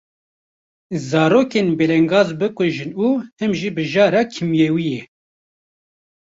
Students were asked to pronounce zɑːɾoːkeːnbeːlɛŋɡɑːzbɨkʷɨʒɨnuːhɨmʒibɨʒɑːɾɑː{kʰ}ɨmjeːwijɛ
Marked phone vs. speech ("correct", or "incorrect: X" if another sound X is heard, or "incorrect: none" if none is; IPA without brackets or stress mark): correct